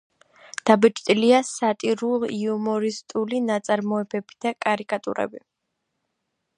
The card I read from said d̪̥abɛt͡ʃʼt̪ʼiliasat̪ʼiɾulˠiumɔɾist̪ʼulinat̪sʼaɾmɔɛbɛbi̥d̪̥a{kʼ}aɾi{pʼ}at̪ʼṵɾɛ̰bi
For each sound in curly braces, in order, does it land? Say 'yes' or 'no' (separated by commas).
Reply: yes, no